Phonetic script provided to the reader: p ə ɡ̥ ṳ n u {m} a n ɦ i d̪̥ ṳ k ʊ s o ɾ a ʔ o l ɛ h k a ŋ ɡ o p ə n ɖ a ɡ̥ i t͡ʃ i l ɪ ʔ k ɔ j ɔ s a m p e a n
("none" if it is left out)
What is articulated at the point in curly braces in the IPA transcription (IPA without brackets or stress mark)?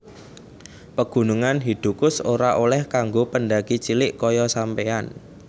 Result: ŋ